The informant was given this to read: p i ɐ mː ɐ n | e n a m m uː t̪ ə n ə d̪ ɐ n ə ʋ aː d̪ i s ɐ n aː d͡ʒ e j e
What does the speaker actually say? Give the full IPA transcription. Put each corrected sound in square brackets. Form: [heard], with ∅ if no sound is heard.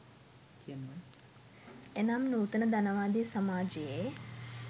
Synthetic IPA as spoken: [k] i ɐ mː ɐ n | e n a m [n] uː t̪ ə n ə d̪ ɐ n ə ʋ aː d̪ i s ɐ [m] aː d͡ʒ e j e